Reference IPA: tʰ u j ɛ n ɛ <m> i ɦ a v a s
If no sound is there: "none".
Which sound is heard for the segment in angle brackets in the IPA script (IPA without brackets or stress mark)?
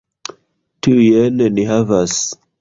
n